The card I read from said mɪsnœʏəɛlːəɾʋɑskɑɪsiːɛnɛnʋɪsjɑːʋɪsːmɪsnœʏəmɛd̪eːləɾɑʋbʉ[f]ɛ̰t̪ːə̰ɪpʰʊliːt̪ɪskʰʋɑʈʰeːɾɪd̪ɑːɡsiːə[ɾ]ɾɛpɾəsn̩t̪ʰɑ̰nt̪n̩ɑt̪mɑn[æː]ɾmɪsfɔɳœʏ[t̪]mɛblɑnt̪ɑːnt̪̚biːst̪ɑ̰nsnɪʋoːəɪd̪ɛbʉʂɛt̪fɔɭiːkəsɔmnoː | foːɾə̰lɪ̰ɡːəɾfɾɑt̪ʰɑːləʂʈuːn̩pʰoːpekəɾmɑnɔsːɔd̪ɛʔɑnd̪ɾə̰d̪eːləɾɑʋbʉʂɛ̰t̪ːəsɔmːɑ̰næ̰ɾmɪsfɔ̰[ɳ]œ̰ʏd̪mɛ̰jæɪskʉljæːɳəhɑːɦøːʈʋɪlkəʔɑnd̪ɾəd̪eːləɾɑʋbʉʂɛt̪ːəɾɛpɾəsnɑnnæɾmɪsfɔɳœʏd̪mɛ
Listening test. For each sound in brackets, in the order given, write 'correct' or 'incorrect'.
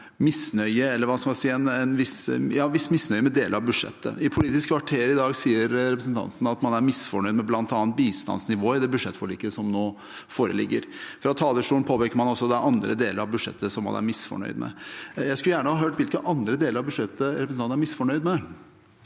incorrect: ʂ, correct, incorrect: æ, incorrect: d̪, correct

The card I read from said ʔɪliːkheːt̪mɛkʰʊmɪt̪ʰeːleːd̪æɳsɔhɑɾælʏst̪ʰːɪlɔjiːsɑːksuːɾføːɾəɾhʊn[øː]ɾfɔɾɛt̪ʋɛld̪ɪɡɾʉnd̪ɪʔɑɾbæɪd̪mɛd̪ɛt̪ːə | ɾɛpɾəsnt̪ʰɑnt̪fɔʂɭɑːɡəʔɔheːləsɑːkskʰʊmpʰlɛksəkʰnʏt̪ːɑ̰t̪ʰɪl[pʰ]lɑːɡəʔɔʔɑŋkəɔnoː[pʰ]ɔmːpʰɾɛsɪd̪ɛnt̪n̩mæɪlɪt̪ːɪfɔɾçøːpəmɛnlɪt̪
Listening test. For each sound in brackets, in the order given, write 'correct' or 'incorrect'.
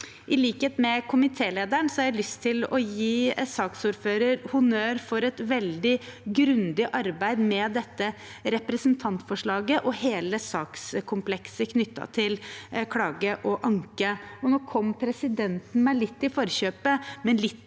correct, incorrect: kʰ, incorrect: kʰ

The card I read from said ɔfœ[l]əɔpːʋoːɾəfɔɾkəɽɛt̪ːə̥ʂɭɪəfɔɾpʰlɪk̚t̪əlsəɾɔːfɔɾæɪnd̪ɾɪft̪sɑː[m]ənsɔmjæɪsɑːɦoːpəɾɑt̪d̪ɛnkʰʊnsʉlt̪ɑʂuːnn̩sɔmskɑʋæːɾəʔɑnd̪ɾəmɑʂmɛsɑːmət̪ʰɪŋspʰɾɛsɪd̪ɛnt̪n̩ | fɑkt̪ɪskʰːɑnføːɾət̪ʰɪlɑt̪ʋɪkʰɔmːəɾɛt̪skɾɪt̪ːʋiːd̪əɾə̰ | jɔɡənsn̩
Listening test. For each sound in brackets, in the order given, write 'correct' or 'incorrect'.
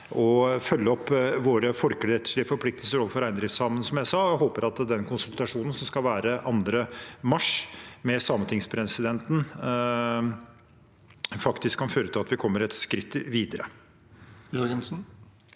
incorrect: lː, correct

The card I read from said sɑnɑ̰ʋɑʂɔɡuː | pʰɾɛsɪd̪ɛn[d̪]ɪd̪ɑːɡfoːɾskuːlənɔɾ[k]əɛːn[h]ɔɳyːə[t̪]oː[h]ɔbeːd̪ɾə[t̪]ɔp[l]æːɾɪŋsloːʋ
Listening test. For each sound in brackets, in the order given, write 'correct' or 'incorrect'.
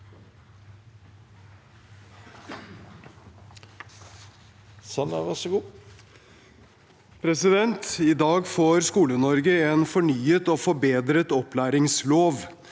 incorrect: t̪, incorrect: ɡ, incorrect: f, correct, incorrect: f, correct, correct

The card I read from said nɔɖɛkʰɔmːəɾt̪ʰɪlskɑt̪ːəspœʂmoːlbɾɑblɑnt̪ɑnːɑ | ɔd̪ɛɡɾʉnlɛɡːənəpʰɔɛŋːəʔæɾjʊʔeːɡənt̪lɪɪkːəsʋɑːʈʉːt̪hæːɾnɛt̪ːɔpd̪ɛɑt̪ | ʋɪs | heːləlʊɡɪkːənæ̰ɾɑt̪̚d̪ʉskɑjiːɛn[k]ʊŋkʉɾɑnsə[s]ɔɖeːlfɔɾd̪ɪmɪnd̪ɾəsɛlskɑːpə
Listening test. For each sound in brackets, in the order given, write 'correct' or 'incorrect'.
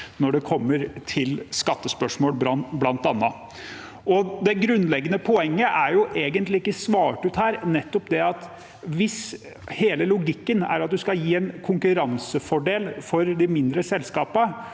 incorrect: kʰ, incorrect: f

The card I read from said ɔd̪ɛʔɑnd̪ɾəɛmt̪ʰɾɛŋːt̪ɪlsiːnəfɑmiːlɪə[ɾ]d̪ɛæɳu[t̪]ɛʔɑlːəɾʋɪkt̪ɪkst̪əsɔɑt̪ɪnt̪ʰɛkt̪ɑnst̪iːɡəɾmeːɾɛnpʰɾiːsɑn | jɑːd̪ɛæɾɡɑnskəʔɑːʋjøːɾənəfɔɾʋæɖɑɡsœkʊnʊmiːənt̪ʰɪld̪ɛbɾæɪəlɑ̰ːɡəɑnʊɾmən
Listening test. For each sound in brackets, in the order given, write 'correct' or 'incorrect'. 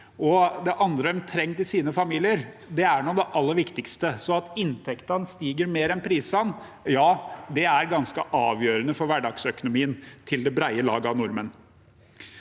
correct, incorrect: d̪

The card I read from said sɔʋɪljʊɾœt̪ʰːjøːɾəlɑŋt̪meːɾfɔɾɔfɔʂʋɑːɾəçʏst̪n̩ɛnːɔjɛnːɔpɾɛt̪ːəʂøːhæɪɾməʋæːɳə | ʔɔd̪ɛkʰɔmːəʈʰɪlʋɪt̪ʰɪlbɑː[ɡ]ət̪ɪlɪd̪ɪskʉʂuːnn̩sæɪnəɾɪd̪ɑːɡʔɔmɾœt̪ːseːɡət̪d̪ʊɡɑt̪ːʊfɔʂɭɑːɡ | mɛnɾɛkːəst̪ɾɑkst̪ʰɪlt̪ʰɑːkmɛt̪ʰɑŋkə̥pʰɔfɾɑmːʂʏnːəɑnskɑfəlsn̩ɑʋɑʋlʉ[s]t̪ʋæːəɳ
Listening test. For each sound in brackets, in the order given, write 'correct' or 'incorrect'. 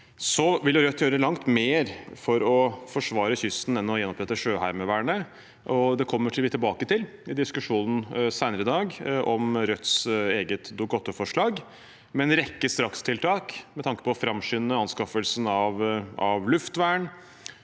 incorrect: k, incorrect: f

